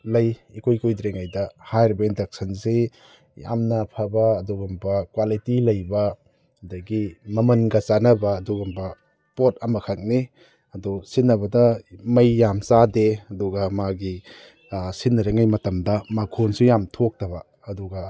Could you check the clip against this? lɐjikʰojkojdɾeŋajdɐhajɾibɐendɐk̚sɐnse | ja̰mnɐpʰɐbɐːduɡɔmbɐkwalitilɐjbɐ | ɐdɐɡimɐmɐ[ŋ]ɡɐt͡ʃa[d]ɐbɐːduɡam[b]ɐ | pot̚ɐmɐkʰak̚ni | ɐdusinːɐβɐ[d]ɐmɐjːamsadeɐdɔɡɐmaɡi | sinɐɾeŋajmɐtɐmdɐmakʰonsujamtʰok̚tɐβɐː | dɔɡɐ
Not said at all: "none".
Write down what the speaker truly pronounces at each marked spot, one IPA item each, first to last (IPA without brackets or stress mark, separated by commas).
n, n, b, d